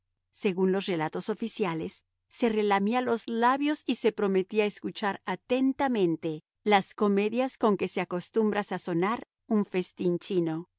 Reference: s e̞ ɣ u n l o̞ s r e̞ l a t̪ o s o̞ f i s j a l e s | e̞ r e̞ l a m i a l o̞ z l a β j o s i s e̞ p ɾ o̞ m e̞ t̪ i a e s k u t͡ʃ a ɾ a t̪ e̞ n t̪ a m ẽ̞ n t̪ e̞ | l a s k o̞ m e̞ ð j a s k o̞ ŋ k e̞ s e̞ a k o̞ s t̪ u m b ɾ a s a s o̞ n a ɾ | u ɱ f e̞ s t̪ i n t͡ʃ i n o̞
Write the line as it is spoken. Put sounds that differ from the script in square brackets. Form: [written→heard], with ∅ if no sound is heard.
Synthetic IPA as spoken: s e̞ ɣ u n l o̞ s r e̞ l a t̪ o s o̞ f i s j a l e [s→sː] | e̞ r e̞ l a m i a l o̞ z l a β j o s i s e̞ p ɾ o̞ m e̞ t̪ i a e s k u t͡ʃ a ɾ a t̪ e̞ n t̪ a m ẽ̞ n t̪ e̞ | l a s k o̞ m e̞ ð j a s k o̞ ŋ k e̞ s e̞ a k o̞ s t̪ u m b ɾ a s a s o̞ n a ɾ | u ɱ f e̞ s t̪ i n t͡ʃ i n o̞

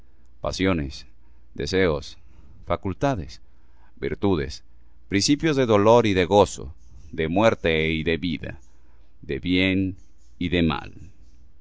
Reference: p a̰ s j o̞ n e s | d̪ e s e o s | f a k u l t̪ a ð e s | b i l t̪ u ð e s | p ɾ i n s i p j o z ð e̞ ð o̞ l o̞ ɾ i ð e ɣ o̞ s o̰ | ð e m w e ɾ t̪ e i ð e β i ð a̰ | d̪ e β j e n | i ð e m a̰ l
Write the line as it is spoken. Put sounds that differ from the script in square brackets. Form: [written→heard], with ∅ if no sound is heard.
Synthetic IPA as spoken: p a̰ s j o̞ n e s | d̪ e s e o s | f a k u l t̪ a ð e s | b i [l→ɾ] t̪ u ð e s | p ɾ i n s i p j o z ð e̞ ð o̞ l o̞ ɾ i ð e ɣ o̞ s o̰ | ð e m w e ɾ t̪ e i ð e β i ð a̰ | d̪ e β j e n | i ð e m a̰ l

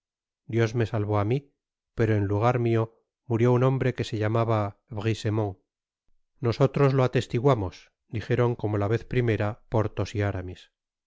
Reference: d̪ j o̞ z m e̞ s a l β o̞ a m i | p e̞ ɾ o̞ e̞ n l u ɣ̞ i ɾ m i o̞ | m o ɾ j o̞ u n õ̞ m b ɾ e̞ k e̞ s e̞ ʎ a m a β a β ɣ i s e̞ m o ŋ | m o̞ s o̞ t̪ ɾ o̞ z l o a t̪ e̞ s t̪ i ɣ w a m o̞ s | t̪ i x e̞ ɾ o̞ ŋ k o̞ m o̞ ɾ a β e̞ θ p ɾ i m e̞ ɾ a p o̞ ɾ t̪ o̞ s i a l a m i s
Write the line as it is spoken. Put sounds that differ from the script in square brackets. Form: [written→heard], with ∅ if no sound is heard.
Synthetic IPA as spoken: d̪ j o̞ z m e̞ s a l β o̞ a m i | p e̞ ɾ o̞ e̞ n l u ɣ̞ [i→a] ɾ m i o̞ | m [o→u] ɾ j o̞ u n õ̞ m b ɾ e̞ k e̞ s e̞ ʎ a m a β a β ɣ i s e̞ m o ŋ | [m→n] o̞ s o̞ t̪ ɾ o̞ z l o a t̪ e̞ s t̪ i ɣ w a m o̞ s | [t̪→d̪] i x e̞ ɾ o̞ ŋ k o̞ m o̞ [ɾ→l] a β e̞ θ p ɾ i m e̞ ɾ a p o̞ ɾ t̪ o̞ s i a [l→ɾ] a m i s

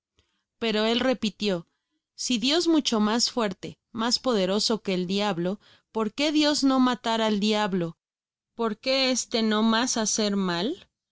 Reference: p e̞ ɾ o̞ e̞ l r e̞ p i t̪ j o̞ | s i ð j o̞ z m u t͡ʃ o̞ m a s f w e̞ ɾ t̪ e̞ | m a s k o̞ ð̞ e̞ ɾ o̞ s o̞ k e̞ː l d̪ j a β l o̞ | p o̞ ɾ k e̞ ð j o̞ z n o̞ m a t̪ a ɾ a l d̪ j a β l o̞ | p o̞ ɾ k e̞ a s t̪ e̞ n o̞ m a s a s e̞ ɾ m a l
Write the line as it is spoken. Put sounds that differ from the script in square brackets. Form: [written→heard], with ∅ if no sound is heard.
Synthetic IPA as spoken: p e̞ ɾ o̞ e̞ l r e̞ p i t̪ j o̞ | s i ð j o̞ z m u t͡ʃ o̞ m a s f w e̞ ɾ t̪ e̞ | m a s [k→p] o̞ ð̞ e̞ ɾ o̞ s o̞ k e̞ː l d̪ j a β l o̞ | p o̞ ɾ k e̞ ð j o̞ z n o̞ m a t̪ a ɾ a l d̪ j a β l o̞ | p o̞ ɾ k e̞ [a→e] s t̪ e̞ n o̞ m a s a s e̞ ɾ m a l

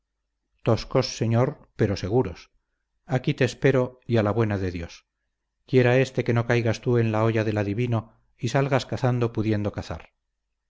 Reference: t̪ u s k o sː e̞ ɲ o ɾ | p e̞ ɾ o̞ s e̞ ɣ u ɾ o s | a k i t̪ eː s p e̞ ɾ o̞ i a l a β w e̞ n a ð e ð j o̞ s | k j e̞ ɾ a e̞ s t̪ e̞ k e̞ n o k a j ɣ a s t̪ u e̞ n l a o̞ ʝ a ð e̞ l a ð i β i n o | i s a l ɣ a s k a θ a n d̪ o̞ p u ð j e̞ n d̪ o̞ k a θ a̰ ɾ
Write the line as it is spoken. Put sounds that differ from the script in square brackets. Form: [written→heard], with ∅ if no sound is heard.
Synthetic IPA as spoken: t̪ [u→o] s k o sː e̞ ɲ o ɾ | p e̞ ɾ o̞ s e̞ ɣ u ɾ o s | a k i t̪ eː s p e̞ ɾ o̞ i a l a β w e̞ n a ð e ð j o̞ s | k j e̞ ɾ a e̞ s t̪ e̞ k e̞ n o k a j ɣ a s t̪ u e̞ n l a o̞ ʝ a ð e̞ l a ð i β i n o | i s a l ɣ a s k a θ a n d̪ o̞ p u ð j e̞ n d̪ o̞ k a θ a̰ ɾ

